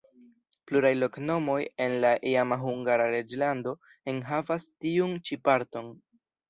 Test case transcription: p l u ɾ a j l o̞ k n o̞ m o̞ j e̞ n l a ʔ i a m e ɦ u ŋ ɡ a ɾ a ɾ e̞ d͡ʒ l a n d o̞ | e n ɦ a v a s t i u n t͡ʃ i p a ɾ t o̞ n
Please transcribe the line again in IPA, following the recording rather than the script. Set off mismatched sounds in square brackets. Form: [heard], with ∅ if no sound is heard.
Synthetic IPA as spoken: p l u ɾ a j l o̞ k n o̞ m o̞ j e̞ n l a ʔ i a m [a] ɦ u ŋ ɡ a ɾ a ɾ e̞ d͡ʒ l a n d o̞ | e n ɦ a v a s t i u n t͡ʃ i p a ɾ t o̞ n